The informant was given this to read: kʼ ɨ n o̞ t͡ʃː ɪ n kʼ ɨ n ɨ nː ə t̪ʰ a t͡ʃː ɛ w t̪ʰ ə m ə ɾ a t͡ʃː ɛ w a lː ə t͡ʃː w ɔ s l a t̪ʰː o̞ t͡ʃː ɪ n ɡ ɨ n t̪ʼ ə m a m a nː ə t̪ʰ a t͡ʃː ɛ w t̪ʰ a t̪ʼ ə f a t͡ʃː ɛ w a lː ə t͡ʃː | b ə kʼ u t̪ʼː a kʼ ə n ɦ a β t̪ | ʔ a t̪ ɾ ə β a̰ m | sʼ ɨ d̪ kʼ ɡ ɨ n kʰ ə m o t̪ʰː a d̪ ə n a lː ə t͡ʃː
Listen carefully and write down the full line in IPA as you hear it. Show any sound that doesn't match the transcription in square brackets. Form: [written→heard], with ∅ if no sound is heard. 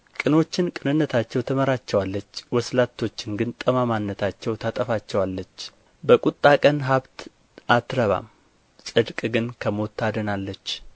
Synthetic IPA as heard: kʼ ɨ n o̞ t͡ʃː ɪ n kʼ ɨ n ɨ nː ə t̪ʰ a t͡ʃː ɛ w t̪ʰ ə m ə ɾ a t͡ʃː ɛ w a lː ə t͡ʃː w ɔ s l a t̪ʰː o̞ t͡ʃː ɪ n ɡ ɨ n t̪ʼ ə m a m a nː ə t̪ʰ a t͡ʃː ɛ w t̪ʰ a t̪ʼ ə f a t͡ʃː ɛ w a lː ə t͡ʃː | b ə kʼ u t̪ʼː a kʼ ə n ɦ a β t̪ | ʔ a t̪ ɾ ə β a̰ m | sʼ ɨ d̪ kʼ ɡ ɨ n kʰ ə m o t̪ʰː a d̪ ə n a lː ə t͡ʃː